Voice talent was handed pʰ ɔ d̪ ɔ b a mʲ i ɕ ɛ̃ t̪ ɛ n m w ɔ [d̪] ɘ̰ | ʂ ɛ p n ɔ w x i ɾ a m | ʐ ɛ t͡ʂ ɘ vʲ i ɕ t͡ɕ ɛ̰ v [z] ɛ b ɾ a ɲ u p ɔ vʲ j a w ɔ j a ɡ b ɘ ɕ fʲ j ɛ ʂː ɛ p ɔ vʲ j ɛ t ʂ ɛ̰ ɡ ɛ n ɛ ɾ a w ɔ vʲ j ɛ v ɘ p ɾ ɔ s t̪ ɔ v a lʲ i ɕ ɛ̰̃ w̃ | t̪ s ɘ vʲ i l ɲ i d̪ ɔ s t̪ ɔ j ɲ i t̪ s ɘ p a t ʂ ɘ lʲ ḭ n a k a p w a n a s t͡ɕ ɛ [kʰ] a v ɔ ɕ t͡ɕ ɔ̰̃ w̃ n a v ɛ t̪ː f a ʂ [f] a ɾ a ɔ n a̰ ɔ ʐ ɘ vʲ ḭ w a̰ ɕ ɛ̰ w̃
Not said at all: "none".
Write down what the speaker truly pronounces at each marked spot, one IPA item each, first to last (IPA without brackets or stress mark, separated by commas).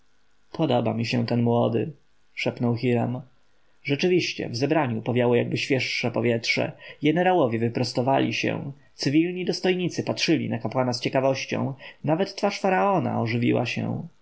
d̪, z, k, f